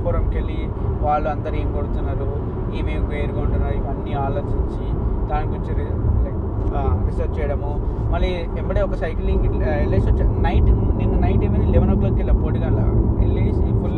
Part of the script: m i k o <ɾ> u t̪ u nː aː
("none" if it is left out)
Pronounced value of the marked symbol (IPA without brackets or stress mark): ɽ